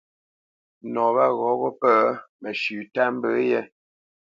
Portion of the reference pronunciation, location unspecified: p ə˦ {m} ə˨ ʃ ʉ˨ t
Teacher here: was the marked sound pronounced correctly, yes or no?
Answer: yes